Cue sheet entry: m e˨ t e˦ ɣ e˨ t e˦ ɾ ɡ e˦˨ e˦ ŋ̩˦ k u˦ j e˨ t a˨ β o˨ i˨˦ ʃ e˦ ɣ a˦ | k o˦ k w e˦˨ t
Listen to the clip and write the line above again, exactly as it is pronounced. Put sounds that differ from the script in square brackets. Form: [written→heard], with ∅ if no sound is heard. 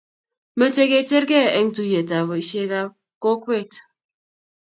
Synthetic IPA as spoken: m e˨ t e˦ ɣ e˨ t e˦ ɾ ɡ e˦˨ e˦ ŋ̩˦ [k→t] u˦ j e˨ t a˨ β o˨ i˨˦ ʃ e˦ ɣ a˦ | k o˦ k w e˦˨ t